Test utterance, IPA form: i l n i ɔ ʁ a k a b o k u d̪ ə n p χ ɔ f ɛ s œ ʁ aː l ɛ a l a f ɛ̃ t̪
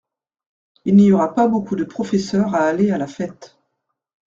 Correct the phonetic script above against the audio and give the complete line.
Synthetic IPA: i l n i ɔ ʁ a p a b o k u d̪ ə p χ ɔ f ɛ s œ ʁ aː l e a l a f ɛ t̪